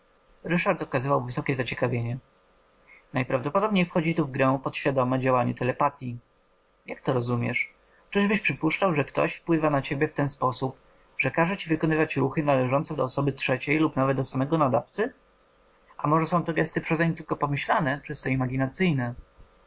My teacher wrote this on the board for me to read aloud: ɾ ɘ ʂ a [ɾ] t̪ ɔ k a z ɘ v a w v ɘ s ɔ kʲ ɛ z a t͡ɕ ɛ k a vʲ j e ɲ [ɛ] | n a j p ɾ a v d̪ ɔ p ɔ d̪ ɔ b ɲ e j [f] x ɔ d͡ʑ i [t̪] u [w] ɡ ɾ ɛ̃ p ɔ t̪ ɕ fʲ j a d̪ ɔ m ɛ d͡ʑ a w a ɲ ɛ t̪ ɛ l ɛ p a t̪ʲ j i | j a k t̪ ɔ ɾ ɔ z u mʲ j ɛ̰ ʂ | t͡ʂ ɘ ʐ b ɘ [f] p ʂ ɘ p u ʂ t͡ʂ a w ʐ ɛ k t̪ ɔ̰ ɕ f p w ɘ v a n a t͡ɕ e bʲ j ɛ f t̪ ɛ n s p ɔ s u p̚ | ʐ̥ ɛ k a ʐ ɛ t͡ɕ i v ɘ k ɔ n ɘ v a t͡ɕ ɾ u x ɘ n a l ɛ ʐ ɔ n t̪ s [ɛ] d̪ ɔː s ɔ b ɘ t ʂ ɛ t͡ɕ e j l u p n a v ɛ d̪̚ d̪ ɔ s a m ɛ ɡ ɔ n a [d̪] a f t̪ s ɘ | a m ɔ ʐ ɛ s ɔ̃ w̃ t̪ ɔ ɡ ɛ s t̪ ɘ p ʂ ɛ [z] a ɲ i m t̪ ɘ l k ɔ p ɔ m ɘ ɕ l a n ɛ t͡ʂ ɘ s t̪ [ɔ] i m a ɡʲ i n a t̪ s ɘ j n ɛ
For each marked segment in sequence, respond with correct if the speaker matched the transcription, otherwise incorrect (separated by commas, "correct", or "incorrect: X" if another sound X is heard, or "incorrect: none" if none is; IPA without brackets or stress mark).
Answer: correct, correct, correct, correct, incorrect: v, incorrect: ɕ, correct, correct, correct, correct